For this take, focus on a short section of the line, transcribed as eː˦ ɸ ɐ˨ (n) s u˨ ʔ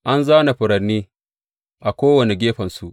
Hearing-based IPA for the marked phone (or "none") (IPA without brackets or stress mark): n